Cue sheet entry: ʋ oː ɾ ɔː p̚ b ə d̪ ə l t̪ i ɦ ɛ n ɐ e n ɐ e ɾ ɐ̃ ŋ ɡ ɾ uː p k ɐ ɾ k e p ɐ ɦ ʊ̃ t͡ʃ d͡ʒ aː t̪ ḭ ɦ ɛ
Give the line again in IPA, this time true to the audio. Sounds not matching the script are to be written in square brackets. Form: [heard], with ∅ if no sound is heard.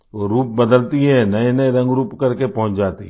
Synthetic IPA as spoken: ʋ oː ɾ [uː] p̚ b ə d̪ ə l t̪ i ɦ ɛ n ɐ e n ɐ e ɾ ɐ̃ ŋ ɡ ɾ uː p k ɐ ɾ k e p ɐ ɦ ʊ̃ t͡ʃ d͡ʒ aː t̪ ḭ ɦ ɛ